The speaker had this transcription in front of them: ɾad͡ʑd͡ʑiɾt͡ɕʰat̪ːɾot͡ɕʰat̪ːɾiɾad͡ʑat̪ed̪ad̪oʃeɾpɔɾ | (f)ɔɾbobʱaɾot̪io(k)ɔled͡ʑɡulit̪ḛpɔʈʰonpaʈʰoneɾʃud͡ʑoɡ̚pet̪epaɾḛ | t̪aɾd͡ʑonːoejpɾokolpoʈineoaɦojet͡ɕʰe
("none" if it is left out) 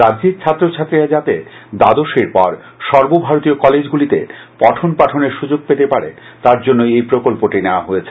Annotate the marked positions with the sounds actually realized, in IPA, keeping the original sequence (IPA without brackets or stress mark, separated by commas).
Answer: ʃ, k